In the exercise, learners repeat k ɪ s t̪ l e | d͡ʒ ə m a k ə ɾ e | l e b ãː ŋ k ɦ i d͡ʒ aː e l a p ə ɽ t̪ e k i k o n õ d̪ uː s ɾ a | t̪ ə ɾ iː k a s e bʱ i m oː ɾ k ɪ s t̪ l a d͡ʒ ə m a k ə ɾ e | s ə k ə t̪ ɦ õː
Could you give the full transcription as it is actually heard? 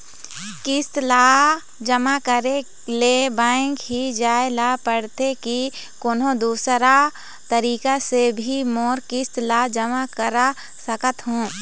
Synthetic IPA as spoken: k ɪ s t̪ l a | d͡ʒ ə m a k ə ɾ e | l e b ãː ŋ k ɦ i d͡ʒ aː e l a p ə ɽ t̪ e k i k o n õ d̪ uː s ɾ a | t̪ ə ɾ iː k a s e bʱ i m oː ɾ k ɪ s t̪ l a d͡ʒ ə m a k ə ɾ a | s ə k ə t̪ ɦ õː